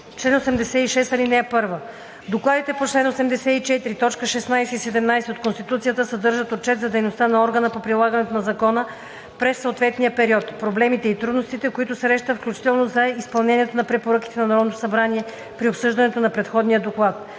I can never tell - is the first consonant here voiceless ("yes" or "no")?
yes